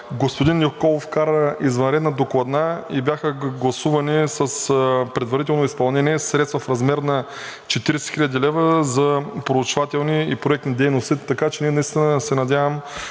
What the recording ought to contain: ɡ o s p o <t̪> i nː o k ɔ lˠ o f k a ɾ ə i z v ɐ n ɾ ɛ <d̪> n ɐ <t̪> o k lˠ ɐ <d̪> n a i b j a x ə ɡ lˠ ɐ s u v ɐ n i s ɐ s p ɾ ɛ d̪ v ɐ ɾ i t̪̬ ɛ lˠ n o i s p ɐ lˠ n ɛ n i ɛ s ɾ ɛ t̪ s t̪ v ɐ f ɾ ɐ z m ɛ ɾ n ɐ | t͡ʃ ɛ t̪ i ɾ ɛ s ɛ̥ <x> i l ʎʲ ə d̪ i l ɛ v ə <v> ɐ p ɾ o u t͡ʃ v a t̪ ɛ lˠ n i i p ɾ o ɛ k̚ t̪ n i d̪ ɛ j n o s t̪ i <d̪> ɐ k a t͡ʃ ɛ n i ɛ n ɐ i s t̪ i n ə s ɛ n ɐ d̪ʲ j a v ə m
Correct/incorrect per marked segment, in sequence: incorrect: d̪, correct, incorrect: d̪, correct, correct, incorrect: z, incorrect: t̪

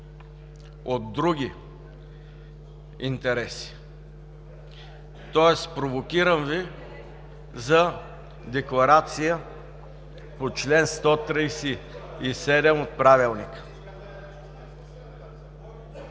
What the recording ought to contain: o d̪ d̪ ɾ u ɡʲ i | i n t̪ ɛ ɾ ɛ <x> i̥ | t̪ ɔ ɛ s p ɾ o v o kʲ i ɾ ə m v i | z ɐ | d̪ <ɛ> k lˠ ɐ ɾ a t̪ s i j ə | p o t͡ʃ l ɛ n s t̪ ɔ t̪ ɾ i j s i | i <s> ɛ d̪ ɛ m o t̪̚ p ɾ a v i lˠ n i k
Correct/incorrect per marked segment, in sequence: incorrect: s, correct, correct

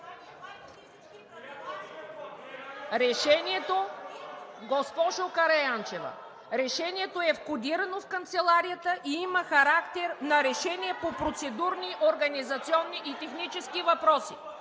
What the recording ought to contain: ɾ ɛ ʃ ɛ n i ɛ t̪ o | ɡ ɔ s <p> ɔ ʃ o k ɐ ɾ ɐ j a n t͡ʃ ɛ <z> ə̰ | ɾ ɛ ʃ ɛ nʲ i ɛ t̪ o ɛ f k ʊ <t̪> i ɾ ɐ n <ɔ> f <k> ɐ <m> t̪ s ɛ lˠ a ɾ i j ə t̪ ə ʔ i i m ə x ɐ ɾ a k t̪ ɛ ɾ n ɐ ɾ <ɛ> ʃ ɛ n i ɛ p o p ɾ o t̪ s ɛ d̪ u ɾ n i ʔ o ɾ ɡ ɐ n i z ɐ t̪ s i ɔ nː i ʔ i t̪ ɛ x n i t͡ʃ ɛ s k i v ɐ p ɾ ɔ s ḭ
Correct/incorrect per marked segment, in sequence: correct, incorrect: v, incorrect: d̪, incorrect: o, correct, incorrect: n, correct

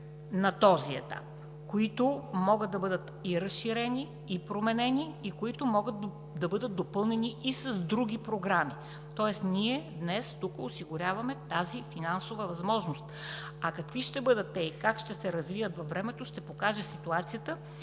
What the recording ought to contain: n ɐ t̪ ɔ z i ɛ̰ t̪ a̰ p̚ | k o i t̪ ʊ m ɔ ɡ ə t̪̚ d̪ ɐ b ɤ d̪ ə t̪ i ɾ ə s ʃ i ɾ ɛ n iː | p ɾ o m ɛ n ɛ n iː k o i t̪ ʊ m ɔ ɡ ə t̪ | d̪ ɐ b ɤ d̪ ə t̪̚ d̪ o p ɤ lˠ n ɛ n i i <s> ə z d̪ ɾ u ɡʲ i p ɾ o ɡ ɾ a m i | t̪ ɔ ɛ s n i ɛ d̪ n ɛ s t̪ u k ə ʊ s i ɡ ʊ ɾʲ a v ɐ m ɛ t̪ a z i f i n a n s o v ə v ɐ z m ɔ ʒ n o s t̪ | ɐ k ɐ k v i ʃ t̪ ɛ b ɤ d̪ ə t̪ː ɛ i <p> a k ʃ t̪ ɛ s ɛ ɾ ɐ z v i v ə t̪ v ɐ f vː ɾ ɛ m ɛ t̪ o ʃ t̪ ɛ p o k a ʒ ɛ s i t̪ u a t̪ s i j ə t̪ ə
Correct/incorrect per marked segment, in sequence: correct, incorrect: k

